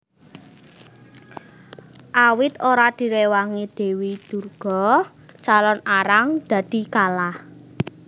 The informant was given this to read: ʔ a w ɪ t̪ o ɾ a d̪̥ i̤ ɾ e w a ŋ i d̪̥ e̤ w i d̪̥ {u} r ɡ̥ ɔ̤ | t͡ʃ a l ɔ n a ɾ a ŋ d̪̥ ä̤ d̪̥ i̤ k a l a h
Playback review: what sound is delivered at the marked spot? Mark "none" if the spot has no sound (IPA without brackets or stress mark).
u